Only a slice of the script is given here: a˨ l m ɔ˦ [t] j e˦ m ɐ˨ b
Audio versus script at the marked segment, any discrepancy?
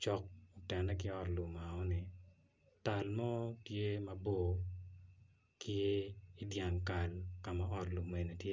no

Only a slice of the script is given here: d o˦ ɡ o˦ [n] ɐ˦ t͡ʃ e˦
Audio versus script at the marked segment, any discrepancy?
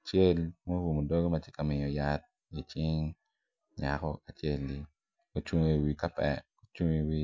yes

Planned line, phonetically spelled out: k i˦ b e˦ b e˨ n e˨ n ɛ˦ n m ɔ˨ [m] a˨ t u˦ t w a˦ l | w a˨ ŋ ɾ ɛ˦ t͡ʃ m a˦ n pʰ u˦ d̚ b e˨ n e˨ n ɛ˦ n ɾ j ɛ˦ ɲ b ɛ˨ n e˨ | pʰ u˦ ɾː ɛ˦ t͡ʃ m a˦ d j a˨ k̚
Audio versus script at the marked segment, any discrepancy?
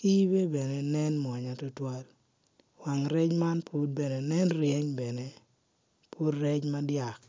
yes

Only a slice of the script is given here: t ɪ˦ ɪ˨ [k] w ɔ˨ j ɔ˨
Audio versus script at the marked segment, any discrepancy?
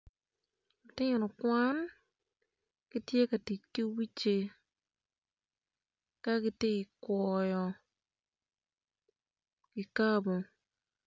no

